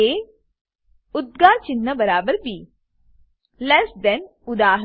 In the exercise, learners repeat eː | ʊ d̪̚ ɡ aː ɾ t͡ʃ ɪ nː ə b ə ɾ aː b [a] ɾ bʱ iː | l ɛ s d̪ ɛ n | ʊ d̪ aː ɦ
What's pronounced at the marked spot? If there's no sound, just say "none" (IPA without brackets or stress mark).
ə